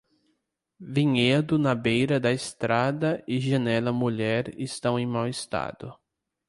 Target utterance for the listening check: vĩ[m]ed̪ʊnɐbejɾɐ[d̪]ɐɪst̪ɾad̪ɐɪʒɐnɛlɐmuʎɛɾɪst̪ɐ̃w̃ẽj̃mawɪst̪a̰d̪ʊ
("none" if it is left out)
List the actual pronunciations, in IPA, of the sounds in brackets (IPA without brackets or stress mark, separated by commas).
ɲ, d̪